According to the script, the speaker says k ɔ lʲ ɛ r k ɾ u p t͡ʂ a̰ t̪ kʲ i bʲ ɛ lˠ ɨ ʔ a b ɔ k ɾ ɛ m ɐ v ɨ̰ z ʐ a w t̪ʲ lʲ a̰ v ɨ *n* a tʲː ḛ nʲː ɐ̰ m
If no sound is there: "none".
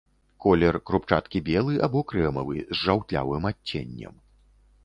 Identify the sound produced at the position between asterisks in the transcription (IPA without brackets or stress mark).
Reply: m